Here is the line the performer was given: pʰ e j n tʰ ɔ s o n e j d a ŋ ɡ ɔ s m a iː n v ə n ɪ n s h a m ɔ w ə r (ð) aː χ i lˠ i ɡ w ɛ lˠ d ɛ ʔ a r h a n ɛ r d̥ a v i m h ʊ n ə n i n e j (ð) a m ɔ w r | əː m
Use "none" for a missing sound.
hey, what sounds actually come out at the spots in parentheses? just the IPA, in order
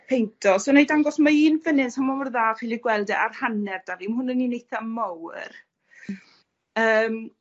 ð, θ

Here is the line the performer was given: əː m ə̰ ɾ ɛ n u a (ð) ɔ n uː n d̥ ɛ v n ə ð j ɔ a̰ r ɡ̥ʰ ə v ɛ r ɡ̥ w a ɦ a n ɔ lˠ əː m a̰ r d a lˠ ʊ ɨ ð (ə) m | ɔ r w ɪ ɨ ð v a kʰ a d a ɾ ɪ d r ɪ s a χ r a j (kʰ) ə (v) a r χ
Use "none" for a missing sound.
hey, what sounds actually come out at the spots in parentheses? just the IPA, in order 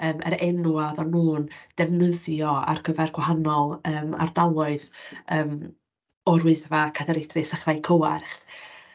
ð, əː, kʰ, w

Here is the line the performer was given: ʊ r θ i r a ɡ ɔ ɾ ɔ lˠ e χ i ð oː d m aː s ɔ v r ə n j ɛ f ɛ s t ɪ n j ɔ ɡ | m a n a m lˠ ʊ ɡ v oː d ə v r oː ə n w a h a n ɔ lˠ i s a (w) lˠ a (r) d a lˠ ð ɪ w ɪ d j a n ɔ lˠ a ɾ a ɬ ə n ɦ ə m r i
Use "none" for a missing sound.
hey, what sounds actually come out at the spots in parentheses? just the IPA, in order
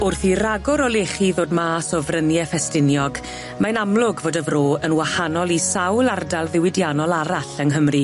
w, r

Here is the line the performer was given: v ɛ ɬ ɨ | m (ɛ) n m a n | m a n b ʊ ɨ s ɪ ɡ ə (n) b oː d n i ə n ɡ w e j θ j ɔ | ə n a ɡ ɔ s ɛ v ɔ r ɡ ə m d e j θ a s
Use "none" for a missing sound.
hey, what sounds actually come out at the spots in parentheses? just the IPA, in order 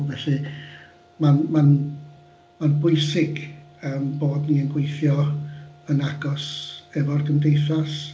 a, m

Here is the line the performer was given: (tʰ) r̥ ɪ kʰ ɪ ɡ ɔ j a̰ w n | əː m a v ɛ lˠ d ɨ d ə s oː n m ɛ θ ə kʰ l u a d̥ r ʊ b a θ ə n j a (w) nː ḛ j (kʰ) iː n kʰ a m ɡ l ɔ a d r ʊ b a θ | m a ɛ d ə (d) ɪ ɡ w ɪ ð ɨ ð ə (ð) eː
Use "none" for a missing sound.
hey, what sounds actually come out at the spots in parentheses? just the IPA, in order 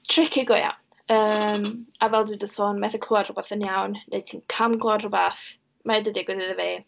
tʰ, w, tʰ, d, v

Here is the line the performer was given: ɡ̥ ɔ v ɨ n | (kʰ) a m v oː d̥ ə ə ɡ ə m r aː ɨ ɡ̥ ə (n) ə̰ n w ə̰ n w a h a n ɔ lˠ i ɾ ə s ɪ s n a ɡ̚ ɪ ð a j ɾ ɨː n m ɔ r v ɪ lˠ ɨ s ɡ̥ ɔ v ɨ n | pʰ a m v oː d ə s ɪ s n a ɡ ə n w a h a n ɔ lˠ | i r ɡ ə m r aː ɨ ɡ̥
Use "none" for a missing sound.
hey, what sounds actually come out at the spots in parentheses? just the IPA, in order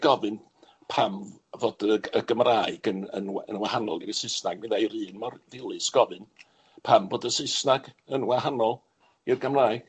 pʰ, n

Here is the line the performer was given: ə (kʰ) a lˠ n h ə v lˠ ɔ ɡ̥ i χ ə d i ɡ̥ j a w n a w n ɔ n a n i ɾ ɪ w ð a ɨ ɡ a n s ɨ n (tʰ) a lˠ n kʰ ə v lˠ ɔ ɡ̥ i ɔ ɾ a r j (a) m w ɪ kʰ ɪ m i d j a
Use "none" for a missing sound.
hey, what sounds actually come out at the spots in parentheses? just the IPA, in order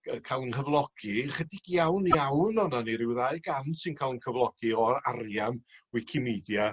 kʰ, kʰ, a

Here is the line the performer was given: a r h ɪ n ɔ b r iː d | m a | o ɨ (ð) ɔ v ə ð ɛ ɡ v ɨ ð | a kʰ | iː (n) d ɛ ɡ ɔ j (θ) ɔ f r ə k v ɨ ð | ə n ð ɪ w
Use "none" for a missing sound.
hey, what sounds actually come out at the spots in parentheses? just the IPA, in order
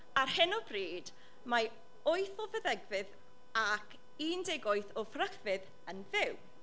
θ, n, θ

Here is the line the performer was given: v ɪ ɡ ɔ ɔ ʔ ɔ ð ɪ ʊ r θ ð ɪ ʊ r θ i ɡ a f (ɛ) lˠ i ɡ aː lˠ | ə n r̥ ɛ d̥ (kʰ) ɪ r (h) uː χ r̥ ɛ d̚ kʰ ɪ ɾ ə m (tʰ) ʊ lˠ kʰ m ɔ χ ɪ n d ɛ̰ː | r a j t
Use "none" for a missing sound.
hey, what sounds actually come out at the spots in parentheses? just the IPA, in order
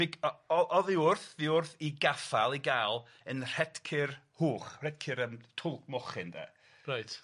a, kʰ, h, tʰ

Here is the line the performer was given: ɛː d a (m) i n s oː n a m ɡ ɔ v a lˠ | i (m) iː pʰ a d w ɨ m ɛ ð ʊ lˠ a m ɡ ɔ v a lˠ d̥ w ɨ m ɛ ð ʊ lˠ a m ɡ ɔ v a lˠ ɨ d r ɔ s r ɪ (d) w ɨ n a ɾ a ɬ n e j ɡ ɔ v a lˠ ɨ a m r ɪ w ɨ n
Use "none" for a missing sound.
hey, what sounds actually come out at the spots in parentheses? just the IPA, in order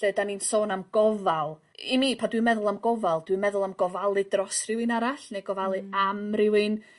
n, m, none

